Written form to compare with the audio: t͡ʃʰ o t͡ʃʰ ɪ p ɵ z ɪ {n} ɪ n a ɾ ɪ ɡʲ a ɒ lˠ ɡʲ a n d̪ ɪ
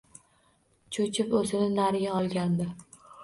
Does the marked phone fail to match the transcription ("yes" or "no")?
no